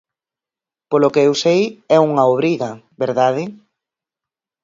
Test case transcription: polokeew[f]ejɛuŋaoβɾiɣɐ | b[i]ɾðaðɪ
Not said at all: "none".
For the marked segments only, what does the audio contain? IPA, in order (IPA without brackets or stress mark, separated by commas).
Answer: s, e